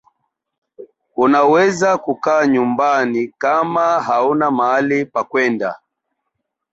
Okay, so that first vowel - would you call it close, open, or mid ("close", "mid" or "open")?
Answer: close